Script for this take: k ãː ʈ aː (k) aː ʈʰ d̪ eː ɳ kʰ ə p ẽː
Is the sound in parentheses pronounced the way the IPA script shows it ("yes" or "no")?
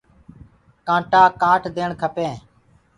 yes